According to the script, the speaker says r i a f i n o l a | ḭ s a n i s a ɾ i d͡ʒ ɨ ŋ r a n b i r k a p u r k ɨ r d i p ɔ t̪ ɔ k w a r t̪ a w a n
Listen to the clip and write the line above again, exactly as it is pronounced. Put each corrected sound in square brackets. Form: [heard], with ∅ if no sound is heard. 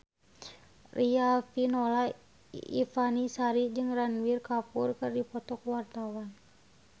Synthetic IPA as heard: r i a f i n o l a | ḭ [f] a n i s a ɾ i d͡ʒ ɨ ŋ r a n [w] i r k a p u r k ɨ r d i p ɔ t̪ ɔ k w a r t̪ a w a n